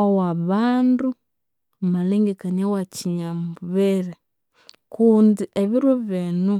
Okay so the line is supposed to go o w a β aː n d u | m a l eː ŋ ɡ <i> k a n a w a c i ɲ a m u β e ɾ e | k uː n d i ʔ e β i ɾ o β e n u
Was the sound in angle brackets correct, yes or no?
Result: no